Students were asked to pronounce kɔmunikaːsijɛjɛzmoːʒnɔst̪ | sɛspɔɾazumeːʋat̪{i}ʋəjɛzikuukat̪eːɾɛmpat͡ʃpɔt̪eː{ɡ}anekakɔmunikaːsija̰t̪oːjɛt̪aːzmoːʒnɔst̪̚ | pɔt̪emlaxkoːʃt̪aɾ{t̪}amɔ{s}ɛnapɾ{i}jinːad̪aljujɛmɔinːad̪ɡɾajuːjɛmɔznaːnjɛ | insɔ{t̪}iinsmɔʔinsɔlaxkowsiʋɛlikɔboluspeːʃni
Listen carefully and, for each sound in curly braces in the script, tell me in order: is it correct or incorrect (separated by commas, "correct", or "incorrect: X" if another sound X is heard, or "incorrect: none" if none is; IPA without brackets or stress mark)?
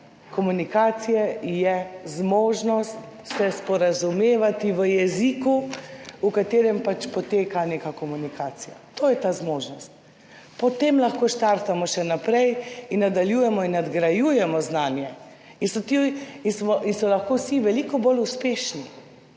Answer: correct, incorrect: k, correct, incorrect: ʃ, incorrect: ɛ, correct